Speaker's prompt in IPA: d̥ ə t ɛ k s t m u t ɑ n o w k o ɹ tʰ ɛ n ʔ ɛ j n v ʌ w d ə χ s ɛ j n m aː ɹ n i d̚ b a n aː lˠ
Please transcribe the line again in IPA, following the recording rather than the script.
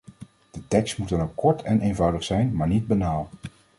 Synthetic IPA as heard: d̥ ə t ɛ k s t m u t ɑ n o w k ɔ ɹ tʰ ɛ n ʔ e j n v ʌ w d ə χ s ɛ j n m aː ɹ n i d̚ b a n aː lˠ